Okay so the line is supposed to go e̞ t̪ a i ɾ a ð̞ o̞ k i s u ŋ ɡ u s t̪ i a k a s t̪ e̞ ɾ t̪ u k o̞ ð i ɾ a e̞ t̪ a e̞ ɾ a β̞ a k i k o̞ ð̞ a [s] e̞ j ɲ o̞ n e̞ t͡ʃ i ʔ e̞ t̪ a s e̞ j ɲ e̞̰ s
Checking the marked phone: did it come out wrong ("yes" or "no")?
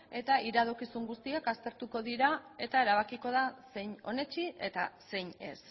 no